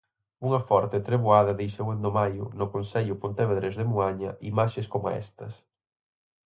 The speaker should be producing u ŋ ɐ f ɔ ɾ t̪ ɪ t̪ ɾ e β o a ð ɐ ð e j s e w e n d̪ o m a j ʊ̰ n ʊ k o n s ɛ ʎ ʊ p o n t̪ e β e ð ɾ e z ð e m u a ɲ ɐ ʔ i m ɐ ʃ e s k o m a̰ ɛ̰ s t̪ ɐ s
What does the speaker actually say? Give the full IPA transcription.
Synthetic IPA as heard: u ŋ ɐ f ɔ ɾ t̪ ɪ t̪ ɾ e β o a ð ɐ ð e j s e w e n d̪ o m a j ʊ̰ n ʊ k o n s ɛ ʎ ʊ p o n t̪ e β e ð ɾ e z ð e m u a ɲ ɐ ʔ i m a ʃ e s k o m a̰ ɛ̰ s t̪ ɐ s